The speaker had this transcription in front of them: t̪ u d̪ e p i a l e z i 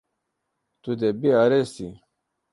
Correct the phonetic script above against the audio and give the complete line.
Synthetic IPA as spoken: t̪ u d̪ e b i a ɾ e s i